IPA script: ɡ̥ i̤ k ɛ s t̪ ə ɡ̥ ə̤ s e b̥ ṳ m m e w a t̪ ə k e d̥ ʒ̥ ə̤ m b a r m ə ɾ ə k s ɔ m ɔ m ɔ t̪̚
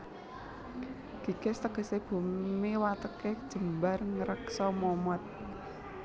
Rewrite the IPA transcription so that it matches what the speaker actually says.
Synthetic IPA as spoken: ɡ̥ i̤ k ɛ s t̪ ə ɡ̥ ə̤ s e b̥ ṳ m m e w a t̪ ə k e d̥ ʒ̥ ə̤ m b a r ŋ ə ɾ ə k s ɔ m ɔ m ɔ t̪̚